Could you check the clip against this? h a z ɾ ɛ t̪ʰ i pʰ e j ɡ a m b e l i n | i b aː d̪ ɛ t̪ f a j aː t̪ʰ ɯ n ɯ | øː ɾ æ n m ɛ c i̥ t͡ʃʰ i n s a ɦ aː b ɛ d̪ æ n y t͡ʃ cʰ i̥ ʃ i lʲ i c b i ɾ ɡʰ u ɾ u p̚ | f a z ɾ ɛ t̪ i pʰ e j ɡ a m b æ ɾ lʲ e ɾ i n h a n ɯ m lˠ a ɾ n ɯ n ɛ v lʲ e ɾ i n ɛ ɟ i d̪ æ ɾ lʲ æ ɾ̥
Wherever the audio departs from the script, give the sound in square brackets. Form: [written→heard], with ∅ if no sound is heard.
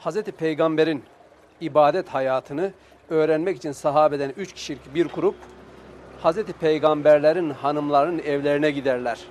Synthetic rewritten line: h a z ɾ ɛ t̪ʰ i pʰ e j ɡ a m b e [l→ɾ] i n | i b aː d̪ ɛ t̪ [f→h] a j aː t̪ʰ ɯ n ɯ | øː ɾ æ n m ɛ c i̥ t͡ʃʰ i n s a ɦ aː b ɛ d̪ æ n y t͡ʃ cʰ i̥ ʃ i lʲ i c b i ɾ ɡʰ u ɾ u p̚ | [f→h] a z ɾ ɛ t̪ i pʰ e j ɡ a m b æ ɾ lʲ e ɾ i n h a n ɯ m lˠ a ɾ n ɯ n ɛ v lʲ e ɾ i n ɛ ɟ i d̪ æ ɾ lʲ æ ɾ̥